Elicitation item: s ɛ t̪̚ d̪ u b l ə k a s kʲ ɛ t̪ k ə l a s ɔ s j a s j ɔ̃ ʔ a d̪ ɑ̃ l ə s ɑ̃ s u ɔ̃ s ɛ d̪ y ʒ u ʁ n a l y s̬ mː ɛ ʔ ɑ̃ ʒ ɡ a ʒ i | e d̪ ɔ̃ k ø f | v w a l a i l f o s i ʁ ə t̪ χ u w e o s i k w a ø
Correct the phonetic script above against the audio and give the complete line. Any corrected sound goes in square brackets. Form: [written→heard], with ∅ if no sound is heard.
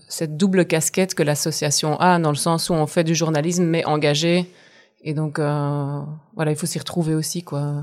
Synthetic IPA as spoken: s ɛ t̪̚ d̪ u b l ə k a s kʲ ɛ t̪ k ə l a s ɔ s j a s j ɔ̃ ʔ a d̪ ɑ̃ l ə s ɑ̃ s u ɔ̃ [s→f] ɛ d̪ y ʒ u ʁ n a l [y→i] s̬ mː ɛ ʔ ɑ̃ [ʒ→∅] ɡ a ʒ [i→e] | e d̪ ɔ̃ k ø [f→∅] | v w a l a i l f o s i ʁ ə t̪ χ u [w→v] e o s i k w a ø